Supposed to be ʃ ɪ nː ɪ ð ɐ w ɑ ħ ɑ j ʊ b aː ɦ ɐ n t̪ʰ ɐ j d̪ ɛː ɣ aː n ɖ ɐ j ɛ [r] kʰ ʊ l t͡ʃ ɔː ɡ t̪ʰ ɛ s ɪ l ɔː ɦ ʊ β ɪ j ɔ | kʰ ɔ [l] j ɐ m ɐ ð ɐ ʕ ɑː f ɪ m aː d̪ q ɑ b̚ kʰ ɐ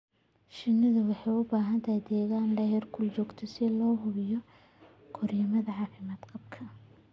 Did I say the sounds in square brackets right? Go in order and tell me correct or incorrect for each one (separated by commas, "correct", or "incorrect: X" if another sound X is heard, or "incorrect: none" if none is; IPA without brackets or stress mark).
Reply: correct, incorrect: r